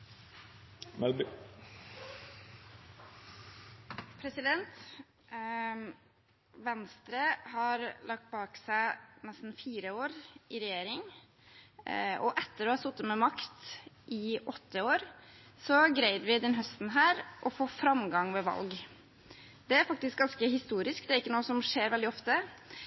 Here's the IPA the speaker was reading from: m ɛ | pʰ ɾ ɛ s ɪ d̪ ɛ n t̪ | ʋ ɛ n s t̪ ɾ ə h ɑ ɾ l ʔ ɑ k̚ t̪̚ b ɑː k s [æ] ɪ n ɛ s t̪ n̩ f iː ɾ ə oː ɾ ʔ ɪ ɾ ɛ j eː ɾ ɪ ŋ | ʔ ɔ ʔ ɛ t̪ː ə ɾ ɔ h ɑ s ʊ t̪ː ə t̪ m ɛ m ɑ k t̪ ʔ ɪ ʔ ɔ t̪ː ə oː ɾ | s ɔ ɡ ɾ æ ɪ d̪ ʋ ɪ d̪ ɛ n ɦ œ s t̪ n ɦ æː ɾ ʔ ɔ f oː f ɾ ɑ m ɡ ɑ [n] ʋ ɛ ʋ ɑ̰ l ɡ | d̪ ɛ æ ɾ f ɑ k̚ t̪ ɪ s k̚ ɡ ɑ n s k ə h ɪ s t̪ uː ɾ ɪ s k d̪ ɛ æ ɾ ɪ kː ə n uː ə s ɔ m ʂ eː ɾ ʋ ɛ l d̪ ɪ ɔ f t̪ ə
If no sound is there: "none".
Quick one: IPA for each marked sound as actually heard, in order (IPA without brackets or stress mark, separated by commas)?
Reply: æ, ŋ